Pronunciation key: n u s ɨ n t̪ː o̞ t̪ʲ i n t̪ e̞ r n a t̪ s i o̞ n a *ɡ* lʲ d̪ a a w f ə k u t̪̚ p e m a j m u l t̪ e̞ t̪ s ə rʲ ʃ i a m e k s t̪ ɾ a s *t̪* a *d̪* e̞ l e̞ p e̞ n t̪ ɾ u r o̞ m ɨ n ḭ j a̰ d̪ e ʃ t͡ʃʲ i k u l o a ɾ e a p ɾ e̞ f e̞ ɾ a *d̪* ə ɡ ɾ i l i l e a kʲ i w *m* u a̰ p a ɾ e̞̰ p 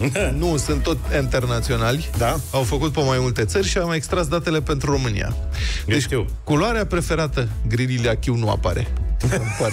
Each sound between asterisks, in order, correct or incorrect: incorrect: none, incorrect: d̪, incorrect: t̪, incorrect: t̪, incorrect: n

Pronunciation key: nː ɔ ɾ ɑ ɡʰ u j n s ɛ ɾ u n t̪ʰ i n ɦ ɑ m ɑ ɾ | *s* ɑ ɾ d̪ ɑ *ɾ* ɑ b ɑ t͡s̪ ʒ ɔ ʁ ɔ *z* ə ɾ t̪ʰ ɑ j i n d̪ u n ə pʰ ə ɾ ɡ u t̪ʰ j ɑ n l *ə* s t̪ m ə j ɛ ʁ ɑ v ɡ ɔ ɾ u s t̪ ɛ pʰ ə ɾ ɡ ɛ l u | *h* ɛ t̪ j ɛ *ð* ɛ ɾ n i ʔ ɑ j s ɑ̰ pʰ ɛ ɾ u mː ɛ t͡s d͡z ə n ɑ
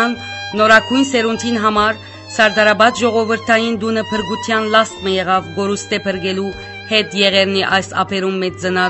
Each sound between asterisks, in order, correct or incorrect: correct, correct, incorrect: v, incorrect: ɑ, correct, incorrect: ʁ

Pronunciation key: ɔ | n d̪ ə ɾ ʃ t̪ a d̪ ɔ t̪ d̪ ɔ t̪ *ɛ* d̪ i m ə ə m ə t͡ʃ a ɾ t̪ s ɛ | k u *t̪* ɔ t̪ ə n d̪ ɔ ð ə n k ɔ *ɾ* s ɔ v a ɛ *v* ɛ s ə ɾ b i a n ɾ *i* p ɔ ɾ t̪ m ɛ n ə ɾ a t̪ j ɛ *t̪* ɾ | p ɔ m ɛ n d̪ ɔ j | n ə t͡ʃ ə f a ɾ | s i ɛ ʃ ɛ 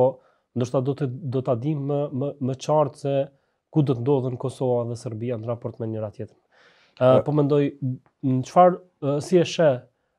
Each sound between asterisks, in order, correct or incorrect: incorrect: a, incorrect: d̪, incorrect: none, incorrect: ð, incorrect: a, correct

